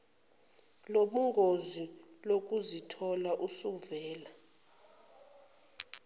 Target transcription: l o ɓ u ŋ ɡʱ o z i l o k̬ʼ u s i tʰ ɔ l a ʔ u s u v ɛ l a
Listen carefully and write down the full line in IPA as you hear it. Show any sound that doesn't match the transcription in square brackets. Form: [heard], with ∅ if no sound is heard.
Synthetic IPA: l o ɓ u ŋ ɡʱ o z i l o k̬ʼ u [z] i tʰ ɔ l a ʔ u s u v [ɛː] l a